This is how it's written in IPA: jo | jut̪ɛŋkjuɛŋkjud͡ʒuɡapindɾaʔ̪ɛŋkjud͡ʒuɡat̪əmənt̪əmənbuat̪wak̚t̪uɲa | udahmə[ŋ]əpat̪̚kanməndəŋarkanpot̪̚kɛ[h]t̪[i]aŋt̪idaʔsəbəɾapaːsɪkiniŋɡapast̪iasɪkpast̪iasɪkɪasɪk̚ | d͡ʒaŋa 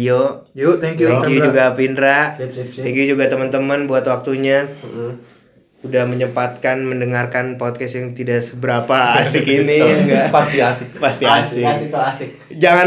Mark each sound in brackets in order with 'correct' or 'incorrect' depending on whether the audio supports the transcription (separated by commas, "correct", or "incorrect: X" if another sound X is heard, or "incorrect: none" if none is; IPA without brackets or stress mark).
incorrect: ɲ, incorrect: s, incorrect: j